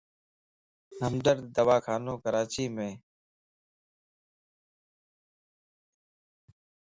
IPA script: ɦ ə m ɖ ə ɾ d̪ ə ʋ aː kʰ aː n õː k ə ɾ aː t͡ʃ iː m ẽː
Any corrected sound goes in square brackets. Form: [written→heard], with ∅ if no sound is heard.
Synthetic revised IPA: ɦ ə m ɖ ə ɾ d̪ ə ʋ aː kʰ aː n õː k ə ɾ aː t͡ʃ iː m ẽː